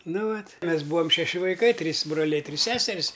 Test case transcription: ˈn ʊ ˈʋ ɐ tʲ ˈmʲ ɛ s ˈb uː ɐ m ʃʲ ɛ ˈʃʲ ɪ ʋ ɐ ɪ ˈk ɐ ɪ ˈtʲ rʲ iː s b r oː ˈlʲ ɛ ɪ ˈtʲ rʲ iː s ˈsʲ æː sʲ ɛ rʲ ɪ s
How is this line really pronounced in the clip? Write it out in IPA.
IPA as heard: ˈn ʊ ˈʋ ɐ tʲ ˈmʲ ɛ s ˈb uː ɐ m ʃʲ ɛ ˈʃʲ ɪ ʋ ɐ ɪ ˈk ɐ ɪ ˈtʲ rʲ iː s b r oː ˈlʲ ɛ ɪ ˈtʲ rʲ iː s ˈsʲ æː sʲ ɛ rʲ ɪ s